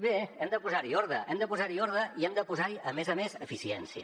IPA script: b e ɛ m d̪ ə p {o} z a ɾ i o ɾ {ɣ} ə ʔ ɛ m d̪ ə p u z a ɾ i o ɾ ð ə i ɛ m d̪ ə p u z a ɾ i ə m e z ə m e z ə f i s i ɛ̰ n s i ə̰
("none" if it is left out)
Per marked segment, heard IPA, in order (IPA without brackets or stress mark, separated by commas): u, ð